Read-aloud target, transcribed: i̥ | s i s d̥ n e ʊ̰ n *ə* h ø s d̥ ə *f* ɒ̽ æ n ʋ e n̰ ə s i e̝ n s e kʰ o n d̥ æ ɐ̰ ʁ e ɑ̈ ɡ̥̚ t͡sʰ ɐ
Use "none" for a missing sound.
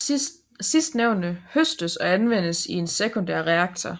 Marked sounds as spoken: ə, s

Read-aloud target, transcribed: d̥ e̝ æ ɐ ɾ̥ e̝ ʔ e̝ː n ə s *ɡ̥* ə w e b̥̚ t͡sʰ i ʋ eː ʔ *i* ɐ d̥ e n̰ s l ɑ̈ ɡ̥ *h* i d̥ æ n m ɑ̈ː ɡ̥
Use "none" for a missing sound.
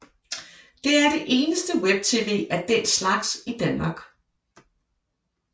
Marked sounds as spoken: d̥, æ, s

